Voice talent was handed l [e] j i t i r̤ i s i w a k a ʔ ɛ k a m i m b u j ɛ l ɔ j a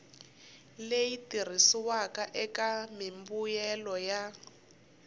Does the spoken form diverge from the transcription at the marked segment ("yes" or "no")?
no